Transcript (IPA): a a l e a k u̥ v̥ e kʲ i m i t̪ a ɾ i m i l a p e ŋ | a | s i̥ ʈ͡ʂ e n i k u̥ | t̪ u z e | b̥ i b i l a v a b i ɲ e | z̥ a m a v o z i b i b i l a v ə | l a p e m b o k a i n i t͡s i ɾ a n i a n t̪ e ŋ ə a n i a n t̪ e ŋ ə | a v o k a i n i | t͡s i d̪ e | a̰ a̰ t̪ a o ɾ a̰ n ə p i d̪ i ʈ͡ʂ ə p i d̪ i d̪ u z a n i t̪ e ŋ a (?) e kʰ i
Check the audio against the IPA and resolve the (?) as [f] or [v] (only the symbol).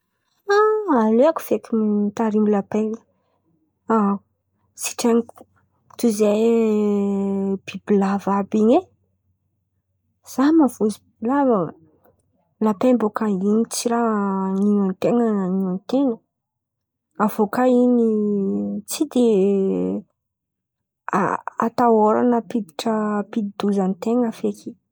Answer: f